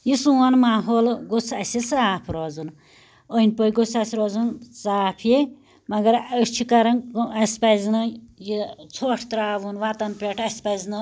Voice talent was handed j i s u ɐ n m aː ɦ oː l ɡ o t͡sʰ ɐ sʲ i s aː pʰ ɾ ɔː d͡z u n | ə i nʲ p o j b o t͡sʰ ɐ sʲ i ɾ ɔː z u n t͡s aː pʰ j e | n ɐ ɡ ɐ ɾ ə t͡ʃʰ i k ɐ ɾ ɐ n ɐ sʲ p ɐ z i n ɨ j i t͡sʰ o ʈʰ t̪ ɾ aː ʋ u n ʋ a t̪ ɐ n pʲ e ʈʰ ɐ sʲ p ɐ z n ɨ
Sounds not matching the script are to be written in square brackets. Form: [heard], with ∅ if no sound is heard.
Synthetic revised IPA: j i s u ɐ n m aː ɦ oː l ɡ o t͡sʰ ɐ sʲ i s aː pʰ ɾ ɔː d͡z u n | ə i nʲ p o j [ɡ] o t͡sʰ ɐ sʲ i ɾ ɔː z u n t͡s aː pʰ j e | [m] ɐ ɡ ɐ ɾ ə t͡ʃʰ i k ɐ ɾ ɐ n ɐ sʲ p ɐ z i n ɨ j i t͡sʰ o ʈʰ t̪ ɾ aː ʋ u n ʋ a t̪ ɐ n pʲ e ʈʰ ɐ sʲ p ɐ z n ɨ